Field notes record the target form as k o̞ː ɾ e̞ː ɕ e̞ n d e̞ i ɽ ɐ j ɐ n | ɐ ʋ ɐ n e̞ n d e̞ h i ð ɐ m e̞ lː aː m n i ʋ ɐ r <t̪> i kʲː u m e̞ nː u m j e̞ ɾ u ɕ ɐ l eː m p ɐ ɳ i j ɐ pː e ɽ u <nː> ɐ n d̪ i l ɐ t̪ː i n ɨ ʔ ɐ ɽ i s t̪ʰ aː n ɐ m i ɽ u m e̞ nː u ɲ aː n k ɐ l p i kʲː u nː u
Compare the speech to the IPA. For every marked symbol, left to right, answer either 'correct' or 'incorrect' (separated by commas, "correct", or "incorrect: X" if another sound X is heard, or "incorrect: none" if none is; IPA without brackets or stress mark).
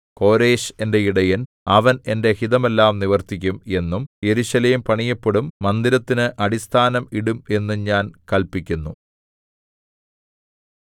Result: correct, incorrect: mː